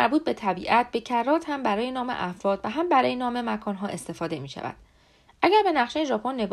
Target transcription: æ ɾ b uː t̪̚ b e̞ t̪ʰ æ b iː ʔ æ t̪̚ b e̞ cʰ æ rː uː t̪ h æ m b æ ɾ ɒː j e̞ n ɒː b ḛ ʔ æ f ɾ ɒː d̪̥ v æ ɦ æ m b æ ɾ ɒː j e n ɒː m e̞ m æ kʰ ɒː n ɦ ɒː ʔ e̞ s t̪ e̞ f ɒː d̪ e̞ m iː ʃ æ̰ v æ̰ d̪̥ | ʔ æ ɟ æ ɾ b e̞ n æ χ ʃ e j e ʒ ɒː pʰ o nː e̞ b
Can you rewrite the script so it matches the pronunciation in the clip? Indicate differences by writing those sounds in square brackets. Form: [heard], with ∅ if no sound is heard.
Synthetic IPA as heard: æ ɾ b uː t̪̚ b e̞ t̪ʰ æ b iː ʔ æ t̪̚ b e̞ cʰ æ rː [ɒː] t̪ h æ m b æ ɾ ɒː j e̞ n ɒː [m] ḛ ʔ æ f ɾ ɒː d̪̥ v æ ɦ æ m b æ ɾ ɒː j e n ɒː m e̞ m æ kʰ ɒː n ɦ ɒː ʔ e̞ s t̪ e̞ f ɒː d̪ e̞ m iː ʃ æ̰ v æ̰ d̪̥ | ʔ æ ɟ æ ɾ b e̞ n æ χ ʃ e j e ʒ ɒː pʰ o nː e̞ b